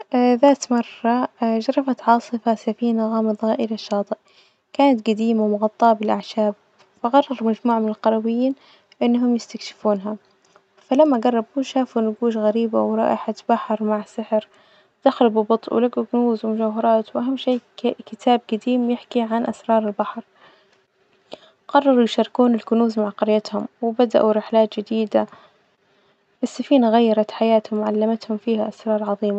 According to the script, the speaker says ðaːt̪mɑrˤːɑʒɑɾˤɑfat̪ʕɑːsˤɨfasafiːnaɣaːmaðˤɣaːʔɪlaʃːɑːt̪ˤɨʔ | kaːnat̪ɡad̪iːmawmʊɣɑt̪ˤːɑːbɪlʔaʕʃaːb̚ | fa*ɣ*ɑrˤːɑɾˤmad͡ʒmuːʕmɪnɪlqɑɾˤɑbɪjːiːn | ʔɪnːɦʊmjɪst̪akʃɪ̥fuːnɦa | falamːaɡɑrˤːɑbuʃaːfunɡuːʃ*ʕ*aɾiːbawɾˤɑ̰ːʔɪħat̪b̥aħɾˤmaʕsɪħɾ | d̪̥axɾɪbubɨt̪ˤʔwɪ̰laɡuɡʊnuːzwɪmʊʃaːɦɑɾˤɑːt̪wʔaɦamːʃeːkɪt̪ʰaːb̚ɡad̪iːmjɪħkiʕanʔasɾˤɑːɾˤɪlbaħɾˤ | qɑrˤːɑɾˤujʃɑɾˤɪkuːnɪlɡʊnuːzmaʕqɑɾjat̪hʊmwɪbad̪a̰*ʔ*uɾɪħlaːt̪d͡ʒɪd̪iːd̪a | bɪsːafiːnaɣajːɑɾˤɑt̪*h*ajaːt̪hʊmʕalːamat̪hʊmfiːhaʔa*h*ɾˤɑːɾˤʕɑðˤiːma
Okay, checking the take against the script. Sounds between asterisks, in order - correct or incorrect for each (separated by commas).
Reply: correct, incorrect, correct, incorrect, incorrect